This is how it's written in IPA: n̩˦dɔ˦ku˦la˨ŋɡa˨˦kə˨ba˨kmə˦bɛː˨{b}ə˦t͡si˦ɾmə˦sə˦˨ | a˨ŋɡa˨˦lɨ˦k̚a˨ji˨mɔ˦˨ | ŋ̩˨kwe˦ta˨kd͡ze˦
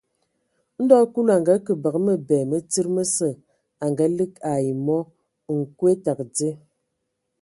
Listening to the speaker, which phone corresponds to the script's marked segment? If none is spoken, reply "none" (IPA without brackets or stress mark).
m